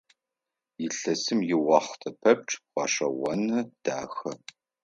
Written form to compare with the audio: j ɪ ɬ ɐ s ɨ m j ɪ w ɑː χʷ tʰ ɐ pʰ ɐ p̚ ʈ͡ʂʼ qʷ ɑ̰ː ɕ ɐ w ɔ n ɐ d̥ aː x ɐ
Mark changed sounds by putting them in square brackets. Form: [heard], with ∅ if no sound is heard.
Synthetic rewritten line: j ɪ ɬ ɐ s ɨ m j ɪ w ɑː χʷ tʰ ɐ pʰ ɐ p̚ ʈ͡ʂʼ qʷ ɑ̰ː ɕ ɐ w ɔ n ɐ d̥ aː x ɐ